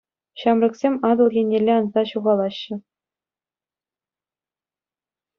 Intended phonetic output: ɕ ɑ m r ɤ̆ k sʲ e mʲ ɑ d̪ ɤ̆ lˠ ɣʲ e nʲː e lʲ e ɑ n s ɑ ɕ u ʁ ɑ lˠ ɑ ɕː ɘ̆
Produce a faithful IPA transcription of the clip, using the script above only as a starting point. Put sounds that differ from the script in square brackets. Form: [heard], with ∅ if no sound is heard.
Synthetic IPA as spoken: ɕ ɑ m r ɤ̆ k sʲ e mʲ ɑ d̪ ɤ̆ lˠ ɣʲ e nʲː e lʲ e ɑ n [z] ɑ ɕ u ʁ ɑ lˠ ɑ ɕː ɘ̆